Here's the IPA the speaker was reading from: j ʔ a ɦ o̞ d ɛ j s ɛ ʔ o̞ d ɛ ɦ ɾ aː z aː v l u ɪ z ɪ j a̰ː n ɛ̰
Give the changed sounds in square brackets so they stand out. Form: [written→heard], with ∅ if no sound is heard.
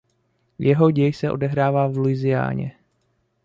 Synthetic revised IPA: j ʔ [a→ɛ] ɦ o̞ [d→ɟ] ɛ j s ɛ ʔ o̞ d ɛ ɦ ɾ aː [z→v] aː v l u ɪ z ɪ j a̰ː [n→ɲ] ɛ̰